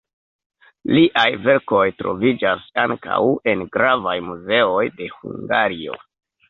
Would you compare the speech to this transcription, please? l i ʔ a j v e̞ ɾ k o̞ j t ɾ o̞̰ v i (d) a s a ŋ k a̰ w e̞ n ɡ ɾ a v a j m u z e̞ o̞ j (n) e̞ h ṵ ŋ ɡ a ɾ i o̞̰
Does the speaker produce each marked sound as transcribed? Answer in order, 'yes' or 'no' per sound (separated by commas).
no, no